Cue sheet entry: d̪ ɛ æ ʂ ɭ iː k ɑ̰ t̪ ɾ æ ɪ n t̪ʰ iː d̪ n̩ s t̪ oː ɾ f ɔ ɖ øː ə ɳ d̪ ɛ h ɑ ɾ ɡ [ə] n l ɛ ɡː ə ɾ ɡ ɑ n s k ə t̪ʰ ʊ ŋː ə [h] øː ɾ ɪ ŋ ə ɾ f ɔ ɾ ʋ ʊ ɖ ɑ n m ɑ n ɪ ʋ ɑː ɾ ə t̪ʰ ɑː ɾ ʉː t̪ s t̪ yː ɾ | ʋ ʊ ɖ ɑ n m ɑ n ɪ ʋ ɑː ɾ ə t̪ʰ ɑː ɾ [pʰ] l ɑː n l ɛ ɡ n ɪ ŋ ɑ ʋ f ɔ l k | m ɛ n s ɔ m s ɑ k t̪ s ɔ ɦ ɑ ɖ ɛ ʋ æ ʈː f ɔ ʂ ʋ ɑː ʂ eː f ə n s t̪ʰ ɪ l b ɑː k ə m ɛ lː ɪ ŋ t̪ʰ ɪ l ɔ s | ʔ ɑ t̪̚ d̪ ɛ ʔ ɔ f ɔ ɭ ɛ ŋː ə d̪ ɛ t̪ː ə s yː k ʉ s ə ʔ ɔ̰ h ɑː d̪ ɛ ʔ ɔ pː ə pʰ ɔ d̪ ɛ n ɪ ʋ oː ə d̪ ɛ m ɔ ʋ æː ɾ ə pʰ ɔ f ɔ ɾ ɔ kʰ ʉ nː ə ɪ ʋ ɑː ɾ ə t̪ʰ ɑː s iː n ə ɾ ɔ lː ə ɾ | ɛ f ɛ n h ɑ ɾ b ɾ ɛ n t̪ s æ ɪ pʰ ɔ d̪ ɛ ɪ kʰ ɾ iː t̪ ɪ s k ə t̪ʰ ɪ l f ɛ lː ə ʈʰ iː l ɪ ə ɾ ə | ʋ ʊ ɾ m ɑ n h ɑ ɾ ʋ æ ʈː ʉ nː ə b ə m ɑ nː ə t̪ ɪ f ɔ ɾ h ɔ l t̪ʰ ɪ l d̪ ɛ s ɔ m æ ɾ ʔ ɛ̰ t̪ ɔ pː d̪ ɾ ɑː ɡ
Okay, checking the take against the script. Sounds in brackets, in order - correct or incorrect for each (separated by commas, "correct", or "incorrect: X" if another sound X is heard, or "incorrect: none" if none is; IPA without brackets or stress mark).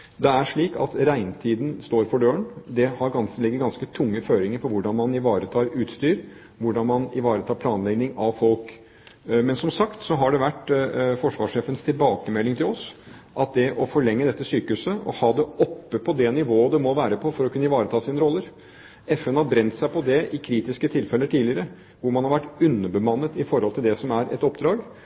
incorrect: ɑ, incorrect: f, correct